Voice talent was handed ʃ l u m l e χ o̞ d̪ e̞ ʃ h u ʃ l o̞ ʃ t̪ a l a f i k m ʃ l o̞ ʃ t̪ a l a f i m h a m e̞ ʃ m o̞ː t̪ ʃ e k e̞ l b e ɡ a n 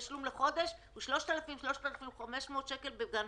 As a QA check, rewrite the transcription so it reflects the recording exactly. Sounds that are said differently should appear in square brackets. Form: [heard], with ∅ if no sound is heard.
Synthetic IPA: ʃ l u m l e χ o̞ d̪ e̞ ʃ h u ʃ l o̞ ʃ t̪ a l a f i [∅] m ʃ l o̞ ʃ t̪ a l a f i m [χ] a m e̞ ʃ m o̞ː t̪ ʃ e k e̞ l b e ɡ a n